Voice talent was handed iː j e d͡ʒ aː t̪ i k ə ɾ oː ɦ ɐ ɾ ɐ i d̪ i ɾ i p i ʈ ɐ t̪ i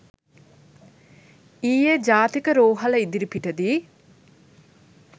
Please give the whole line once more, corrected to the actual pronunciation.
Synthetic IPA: iː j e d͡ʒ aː t̪ i k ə ɾ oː ɦ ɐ l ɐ i d̪ i ɾ i p i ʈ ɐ d̪ i